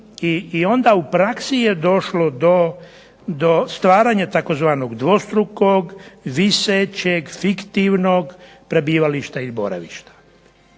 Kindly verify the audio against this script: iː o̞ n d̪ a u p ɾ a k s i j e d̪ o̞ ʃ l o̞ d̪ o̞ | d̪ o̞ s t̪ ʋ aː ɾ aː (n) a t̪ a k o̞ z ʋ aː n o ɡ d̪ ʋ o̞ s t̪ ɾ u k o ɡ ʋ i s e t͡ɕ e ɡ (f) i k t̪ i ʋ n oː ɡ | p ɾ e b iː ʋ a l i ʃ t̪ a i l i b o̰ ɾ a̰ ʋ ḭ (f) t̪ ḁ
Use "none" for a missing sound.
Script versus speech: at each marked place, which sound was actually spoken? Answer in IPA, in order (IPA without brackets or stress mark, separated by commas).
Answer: ɲ, f, ʃ